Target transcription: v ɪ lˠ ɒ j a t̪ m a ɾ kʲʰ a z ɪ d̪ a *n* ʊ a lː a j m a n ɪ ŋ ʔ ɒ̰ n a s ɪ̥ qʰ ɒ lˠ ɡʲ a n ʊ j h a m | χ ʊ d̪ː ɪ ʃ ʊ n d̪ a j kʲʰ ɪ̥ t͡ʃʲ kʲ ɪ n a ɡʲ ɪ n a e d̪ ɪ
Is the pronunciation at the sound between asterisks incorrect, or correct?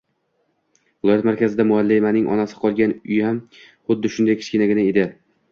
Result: incorrect